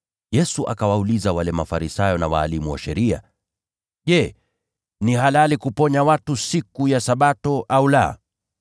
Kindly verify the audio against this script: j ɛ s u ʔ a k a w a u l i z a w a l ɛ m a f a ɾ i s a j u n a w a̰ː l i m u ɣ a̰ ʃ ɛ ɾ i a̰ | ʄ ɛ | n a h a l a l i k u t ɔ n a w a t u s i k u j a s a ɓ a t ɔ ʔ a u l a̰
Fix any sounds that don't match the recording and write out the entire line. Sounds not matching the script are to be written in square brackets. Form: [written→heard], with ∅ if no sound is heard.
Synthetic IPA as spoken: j ɛ s u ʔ a k a w a u l i z a w a l ɛ m a f a ɾ i s a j [u→ɔ] n a w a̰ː l i m u [ɣ→w] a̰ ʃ ɛ ɾ i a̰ | ʄ ɛ | n [a→i] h a l a l i k u [t→p] ɔ [n→ɲ] a w a t u s i k u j a s a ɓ a t ɔ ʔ a u l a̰